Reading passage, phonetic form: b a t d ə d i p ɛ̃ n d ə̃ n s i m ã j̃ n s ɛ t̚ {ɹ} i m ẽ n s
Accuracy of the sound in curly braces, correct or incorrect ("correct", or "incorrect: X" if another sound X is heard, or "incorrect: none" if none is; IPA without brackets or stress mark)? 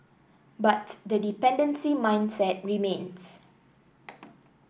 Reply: correct